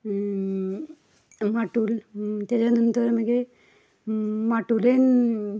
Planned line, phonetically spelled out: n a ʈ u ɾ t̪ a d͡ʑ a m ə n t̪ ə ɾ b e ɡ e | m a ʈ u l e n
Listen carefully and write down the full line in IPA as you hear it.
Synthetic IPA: m a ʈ u l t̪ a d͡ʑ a n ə n t̪ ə ɾ m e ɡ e | m a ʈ u l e n